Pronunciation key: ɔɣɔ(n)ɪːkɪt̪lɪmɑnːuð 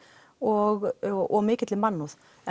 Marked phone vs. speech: incorrect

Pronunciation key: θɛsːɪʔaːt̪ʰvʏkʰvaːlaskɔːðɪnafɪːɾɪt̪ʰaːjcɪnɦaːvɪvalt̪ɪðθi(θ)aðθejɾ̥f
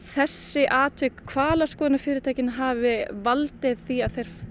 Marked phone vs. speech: incorrect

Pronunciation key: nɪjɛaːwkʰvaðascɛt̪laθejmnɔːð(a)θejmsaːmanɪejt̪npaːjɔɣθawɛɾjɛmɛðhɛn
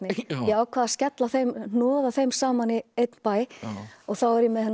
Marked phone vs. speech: correct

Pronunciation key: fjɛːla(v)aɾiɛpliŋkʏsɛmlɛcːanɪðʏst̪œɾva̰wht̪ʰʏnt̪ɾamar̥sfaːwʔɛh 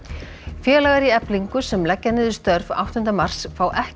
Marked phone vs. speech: incorrect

